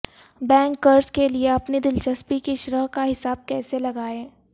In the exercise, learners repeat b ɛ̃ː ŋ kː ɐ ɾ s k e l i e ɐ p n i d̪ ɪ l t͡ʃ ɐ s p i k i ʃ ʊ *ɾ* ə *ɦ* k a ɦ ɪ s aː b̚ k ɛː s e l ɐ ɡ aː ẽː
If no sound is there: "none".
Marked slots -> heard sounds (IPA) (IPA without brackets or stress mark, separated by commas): ɾ, ɦ